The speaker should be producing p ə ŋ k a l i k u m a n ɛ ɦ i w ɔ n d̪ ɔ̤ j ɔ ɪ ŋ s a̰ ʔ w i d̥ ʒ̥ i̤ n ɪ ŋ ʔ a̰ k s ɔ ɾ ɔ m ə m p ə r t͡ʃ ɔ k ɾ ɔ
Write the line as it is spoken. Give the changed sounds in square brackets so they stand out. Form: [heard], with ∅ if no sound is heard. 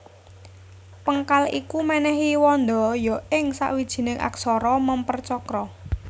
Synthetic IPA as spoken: p ə ŋ k a l i k u m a n ɛ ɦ i w ɔ n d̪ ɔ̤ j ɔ ɪ ŋ s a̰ ʔ w i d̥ ʒ̥ i̤ n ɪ ŋ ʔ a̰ k s ɔ ɾ ɔ m ə m p ə r t͡ʃ ɔ k ɾ ɔ